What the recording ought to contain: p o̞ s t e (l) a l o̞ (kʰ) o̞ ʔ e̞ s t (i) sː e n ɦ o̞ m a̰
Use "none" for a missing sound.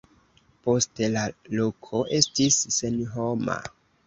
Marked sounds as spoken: l, kʰ, i

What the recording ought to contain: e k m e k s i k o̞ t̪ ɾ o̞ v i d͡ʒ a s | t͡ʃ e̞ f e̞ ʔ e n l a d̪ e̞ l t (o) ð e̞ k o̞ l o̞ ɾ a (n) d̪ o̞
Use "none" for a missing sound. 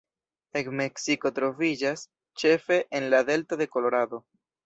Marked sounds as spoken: o, none

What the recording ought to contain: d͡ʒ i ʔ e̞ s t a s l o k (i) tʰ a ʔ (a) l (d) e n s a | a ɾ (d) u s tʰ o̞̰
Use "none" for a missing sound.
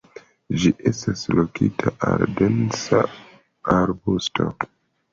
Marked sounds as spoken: i, a, d, b

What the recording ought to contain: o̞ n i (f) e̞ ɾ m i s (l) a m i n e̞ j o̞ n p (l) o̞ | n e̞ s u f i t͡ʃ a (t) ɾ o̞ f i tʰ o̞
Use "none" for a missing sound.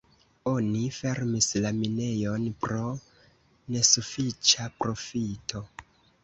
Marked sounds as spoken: f, l, ɾ, p

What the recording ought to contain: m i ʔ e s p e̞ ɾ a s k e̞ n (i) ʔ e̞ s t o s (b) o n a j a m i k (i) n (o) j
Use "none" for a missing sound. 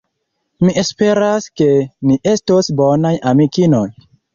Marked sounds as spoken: i, b, i, o

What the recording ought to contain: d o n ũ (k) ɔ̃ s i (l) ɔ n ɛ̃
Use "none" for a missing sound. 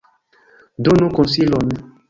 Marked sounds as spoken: k, l

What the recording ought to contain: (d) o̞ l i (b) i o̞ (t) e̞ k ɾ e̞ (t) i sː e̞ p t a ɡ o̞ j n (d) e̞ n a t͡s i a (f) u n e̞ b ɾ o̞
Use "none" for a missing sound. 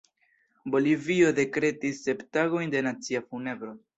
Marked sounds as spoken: b, v, d, t, d, f

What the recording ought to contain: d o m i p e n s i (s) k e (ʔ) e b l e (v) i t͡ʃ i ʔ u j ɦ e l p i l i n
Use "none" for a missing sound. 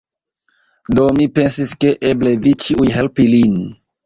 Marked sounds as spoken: s, ʔ, v

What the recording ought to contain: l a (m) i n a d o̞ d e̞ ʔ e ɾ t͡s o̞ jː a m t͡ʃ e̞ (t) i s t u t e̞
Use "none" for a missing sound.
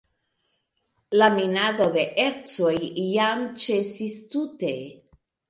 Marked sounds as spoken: m, s

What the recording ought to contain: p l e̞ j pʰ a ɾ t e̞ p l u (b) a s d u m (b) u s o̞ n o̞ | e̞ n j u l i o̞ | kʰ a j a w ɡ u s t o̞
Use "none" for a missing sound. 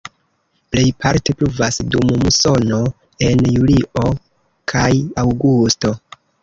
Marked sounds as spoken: v, m

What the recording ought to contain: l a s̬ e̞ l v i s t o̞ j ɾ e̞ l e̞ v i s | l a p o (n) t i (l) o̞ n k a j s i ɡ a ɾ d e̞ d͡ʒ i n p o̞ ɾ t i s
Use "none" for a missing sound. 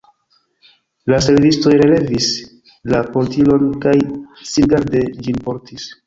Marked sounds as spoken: n, l

